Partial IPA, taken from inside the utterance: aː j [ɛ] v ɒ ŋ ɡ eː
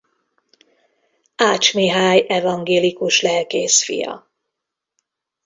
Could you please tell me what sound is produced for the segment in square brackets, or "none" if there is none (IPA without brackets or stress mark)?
ɛ